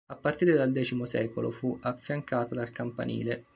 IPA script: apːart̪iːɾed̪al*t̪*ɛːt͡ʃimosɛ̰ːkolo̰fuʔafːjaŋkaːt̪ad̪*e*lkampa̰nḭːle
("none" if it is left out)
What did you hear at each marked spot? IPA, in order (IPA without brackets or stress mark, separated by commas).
d̪, a